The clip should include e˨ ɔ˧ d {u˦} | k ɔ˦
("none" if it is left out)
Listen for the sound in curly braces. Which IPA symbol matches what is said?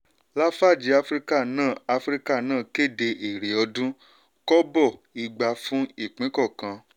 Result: ũ˦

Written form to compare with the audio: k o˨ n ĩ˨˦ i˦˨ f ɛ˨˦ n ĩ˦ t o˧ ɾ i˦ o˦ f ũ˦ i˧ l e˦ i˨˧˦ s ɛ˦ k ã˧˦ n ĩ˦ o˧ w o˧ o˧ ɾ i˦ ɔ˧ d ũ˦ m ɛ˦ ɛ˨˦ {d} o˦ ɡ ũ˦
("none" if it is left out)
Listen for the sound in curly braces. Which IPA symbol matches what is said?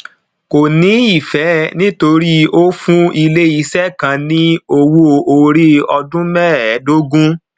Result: d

